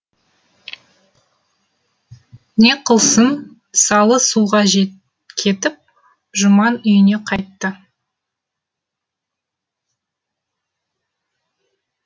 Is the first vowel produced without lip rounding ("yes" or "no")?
yes